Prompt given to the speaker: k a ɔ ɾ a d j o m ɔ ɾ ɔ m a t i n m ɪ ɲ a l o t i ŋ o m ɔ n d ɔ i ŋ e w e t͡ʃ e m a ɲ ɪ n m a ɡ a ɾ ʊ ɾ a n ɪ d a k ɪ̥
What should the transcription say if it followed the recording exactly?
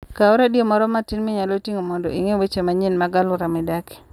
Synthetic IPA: k a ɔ ɾ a d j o m ɔ ɾ ɔ m a t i n m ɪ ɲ a l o t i ŋ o m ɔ n d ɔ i ŋ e w e t͡ʃ e m a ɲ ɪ n m a ɡ a l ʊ ɾ a m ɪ d a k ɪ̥